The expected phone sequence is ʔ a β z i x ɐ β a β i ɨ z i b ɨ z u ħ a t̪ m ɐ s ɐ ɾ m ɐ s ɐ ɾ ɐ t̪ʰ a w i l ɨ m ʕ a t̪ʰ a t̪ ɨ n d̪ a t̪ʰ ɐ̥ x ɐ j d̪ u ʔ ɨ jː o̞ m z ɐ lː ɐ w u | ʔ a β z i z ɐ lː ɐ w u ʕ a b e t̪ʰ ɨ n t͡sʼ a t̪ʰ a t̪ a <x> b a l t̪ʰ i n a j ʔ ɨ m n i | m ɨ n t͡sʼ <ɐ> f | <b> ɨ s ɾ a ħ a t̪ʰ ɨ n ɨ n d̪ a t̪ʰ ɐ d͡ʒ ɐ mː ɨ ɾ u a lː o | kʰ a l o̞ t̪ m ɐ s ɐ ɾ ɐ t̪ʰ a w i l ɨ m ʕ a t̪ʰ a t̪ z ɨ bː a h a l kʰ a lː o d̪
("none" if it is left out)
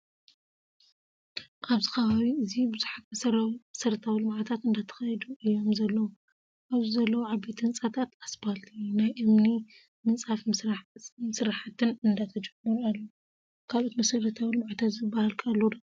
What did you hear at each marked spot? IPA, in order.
s, a, m

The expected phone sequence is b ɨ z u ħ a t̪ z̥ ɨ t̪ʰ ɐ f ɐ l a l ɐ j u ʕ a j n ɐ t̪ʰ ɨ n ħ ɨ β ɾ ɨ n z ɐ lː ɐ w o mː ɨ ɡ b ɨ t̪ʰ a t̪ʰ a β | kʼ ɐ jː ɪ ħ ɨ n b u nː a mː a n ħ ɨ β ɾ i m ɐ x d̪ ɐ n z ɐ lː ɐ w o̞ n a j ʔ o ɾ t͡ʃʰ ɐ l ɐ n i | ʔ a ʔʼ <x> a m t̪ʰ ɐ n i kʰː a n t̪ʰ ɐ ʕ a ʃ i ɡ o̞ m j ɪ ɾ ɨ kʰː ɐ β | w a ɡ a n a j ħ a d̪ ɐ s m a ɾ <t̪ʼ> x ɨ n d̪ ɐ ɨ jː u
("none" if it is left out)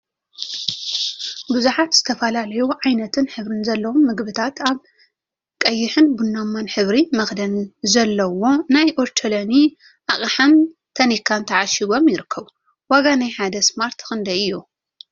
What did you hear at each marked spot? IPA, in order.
ħ, t̪

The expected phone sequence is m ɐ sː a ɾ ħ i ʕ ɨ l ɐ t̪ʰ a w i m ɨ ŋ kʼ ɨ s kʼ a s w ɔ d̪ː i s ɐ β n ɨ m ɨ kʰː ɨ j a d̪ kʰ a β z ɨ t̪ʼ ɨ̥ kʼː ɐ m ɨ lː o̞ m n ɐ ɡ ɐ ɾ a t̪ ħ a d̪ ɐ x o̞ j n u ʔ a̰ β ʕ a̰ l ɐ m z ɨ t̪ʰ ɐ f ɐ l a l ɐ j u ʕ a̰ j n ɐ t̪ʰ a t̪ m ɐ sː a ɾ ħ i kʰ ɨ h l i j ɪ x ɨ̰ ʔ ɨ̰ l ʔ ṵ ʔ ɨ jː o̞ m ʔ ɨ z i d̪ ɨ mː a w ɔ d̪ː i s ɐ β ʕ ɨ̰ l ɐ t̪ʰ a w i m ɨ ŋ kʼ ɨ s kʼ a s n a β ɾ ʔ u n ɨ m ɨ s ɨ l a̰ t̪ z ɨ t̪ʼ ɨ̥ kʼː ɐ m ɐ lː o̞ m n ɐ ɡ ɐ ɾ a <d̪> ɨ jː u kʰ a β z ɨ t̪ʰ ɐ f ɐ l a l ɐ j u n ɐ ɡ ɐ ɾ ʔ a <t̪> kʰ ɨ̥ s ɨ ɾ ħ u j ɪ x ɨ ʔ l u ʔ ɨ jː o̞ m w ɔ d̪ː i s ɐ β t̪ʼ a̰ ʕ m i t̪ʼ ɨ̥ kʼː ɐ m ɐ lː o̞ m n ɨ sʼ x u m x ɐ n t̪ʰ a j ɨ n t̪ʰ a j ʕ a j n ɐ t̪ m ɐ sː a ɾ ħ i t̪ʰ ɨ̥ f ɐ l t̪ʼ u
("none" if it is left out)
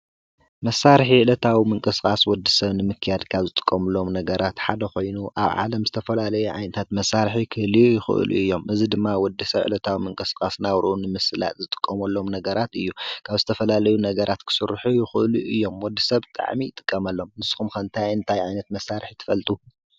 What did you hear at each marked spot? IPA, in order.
t̪, t̪

